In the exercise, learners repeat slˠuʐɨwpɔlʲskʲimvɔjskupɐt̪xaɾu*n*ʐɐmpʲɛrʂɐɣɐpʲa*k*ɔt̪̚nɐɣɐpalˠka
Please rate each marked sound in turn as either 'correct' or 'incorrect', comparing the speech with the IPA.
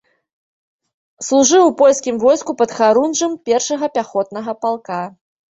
correct, incorrect: x

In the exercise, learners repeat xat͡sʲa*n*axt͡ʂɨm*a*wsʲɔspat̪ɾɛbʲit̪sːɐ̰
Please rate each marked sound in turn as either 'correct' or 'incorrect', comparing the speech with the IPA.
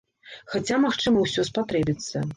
incorrect: m, incorrect: ɐ

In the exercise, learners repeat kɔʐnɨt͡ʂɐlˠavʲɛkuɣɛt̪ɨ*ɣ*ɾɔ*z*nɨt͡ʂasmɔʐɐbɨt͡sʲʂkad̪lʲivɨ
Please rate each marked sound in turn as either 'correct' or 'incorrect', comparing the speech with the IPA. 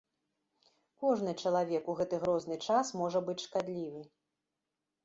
correct, correct

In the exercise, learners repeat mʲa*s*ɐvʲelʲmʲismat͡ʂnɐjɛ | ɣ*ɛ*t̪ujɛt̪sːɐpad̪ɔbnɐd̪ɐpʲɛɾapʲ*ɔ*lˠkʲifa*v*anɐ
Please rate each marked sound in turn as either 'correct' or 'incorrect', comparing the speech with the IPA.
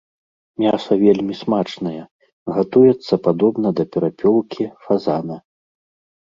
correct, incorrect: a, correct, incorrect: z

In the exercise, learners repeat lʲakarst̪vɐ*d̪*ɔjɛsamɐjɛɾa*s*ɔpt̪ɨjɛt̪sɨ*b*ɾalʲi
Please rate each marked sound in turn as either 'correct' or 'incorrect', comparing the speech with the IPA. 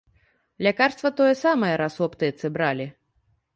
incorrect: t̪, correct, correct

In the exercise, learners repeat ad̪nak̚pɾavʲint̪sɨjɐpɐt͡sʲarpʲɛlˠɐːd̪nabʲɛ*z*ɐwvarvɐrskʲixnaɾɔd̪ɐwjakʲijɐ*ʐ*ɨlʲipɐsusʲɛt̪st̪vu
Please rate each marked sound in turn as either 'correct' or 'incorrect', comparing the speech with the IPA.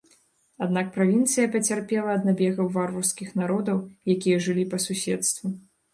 incorrect: ɣ, correct

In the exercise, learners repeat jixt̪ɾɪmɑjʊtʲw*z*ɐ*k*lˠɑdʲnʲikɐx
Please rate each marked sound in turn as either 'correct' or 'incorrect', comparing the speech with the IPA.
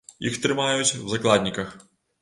correct, correct

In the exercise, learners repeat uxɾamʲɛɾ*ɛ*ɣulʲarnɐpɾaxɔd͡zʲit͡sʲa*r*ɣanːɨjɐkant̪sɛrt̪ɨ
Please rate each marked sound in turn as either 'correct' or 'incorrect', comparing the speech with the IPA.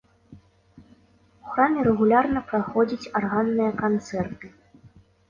correct, correct

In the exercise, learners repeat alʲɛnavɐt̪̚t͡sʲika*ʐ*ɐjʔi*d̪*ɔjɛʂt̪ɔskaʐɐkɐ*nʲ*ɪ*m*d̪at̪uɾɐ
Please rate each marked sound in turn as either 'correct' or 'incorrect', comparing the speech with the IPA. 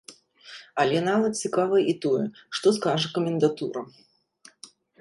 incorrect: v, incorrect: t̪, incorrect: mʲ, incorrect: n

